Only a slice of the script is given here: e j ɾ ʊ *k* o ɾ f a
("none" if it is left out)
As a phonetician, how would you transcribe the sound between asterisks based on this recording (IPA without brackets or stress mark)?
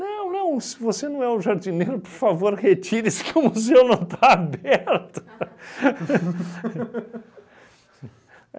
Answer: p